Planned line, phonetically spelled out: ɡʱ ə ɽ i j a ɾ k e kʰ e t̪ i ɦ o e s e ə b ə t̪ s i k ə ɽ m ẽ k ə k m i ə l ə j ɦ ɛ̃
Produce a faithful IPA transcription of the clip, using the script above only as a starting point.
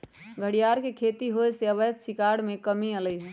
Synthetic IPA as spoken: ɡʱ ə ɽ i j a ɾ k e kʰ e t̪ i ɦ o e s e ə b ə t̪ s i k a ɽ m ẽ k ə m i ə l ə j ɦ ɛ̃